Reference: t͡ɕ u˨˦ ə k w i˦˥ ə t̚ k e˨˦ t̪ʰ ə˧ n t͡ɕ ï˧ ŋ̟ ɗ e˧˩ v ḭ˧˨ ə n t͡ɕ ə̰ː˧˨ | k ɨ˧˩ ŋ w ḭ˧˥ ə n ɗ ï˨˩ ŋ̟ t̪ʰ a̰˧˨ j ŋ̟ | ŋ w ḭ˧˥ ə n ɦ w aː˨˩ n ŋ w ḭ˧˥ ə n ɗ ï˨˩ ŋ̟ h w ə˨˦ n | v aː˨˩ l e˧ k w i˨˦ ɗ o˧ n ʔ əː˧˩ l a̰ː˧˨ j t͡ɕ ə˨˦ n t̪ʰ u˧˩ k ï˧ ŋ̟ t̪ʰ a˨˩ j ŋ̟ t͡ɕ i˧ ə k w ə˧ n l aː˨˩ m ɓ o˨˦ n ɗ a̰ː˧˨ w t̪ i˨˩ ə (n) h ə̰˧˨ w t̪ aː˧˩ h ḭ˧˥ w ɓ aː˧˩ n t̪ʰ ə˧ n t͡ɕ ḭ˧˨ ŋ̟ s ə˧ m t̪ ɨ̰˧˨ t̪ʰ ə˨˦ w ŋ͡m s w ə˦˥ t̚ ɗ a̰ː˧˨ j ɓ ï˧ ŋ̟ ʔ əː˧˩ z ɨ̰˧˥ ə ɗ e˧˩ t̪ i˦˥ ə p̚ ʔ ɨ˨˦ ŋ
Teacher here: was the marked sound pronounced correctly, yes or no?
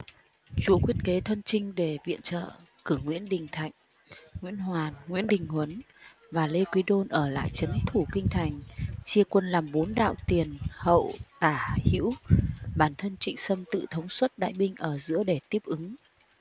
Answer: yes